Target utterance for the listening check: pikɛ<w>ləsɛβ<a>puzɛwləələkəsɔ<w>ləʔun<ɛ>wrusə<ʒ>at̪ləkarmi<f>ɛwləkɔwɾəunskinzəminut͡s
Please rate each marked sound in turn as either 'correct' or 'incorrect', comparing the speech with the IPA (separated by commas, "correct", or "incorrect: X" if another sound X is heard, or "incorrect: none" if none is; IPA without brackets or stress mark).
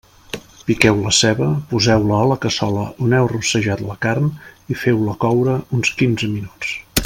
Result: correct, incorrect: ə, incorrect: none, correct, correct, correct